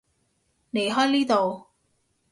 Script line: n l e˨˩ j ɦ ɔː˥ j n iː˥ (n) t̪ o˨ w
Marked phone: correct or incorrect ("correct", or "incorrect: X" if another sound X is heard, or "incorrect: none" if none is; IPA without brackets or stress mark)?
incorrect: none